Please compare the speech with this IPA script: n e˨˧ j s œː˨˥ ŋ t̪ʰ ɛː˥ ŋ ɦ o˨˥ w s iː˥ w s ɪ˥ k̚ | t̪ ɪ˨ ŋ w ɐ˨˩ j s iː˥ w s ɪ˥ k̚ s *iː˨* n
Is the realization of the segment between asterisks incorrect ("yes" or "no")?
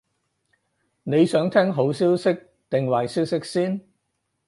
yes